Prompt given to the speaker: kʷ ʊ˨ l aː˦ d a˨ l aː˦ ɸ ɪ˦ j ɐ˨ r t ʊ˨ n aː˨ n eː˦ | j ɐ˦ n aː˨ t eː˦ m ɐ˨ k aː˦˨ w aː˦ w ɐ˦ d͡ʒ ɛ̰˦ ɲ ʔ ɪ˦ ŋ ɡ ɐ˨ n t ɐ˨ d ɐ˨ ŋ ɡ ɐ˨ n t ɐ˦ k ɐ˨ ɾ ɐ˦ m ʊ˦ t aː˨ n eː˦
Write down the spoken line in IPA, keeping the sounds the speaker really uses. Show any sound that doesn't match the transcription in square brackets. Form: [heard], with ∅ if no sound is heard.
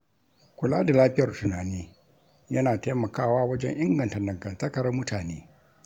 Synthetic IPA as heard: kʷ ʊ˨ l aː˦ d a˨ l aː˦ ɸ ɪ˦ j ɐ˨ r t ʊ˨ n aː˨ n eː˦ | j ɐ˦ n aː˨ t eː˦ m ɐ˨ k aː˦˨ w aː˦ w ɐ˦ d͡ʒ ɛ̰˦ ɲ ʔ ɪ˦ ŋ ɡ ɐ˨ n t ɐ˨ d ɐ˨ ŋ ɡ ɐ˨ n t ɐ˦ k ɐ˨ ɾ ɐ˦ m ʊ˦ t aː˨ n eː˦